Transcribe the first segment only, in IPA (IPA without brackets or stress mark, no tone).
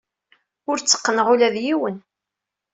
ʊ